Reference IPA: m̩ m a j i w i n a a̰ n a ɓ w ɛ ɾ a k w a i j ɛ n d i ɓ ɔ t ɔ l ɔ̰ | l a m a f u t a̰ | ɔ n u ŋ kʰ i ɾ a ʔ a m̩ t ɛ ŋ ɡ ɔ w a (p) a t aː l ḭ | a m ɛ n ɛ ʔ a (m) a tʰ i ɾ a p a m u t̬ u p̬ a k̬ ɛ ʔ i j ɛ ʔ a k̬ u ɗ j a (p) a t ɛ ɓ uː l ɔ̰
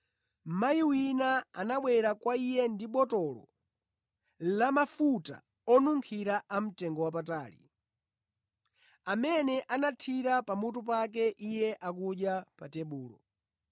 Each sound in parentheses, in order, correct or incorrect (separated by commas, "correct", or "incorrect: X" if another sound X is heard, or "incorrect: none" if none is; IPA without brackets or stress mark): correct, incorrect: n, correct